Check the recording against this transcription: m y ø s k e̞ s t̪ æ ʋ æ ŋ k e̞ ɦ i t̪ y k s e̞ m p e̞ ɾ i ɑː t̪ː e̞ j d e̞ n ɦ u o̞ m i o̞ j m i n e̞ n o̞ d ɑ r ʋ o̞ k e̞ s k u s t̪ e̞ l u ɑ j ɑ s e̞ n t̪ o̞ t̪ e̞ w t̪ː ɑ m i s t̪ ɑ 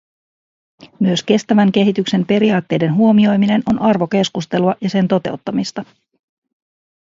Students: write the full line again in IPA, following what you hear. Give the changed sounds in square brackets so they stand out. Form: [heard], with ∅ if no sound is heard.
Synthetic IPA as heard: m y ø s k e̞ s t̪ æ ʋ æ ŋ k e̞ ɦ i t̪ y k s e̞ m p e̞ ɾ i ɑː t̪ː e̞ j d e̞ n ɦ u o̞ m i o̞ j m i n e̞ n o̞ [n] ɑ r ʋ o̞ k e̞ s k u s t̪ e̞ l u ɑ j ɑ s e̞ n t̪ o̞ t̪ e̞ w t̪ː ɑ m i s t̪ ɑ